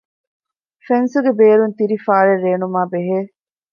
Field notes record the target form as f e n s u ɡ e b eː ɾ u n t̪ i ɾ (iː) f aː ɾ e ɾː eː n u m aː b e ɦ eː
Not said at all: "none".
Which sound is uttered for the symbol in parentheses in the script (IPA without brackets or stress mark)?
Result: i